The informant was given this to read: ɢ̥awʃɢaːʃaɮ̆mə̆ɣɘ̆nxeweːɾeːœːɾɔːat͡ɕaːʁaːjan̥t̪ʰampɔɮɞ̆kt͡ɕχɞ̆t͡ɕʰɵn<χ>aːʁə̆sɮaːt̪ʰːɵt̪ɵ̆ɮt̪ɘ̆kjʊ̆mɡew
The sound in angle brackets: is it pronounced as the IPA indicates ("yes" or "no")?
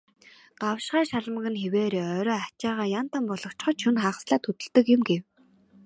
yes